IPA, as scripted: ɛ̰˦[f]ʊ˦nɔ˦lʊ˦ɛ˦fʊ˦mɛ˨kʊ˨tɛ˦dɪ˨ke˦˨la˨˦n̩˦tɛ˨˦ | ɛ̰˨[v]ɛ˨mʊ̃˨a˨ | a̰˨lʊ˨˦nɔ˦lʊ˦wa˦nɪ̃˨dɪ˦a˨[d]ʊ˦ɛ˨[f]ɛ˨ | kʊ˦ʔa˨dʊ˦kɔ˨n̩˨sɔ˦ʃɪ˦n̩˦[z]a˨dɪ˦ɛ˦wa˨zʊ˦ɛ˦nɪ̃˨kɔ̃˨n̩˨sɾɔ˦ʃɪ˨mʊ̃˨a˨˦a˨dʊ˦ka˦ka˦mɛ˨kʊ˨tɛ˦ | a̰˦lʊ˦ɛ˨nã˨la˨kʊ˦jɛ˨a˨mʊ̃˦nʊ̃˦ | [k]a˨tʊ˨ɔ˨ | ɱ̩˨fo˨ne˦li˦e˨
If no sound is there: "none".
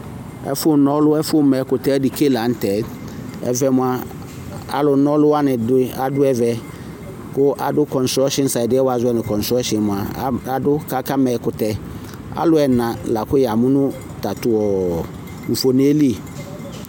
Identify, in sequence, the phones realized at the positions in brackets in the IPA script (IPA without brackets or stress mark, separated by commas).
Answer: f, v, d, v, s, t